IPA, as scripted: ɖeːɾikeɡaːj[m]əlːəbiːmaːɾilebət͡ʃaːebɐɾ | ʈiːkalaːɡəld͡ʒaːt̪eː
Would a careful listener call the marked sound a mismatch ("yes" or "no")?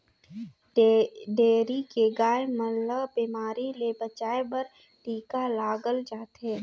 no